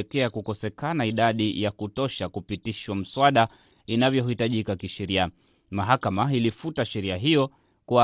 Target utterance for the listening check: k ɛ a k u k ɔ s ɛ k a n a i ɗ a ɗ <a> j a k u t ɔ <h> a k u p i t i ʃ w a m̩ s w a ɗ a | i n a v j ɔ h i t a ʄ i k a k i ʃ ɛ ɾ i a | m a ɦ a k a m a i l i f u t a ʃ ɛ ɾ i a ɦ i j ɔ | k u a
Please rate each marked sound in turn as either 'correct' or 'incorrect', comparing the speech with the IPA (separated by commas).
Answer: incorrect, incorrect